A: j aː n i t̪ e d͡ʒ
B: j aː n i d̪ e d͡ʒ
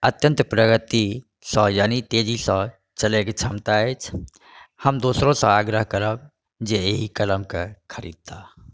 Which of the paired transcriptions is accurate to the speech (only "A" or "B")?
A